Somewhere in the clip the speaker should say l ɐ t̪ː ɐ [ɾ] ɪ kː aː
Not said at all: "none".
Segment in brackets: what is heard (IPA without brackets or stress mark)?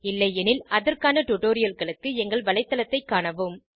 none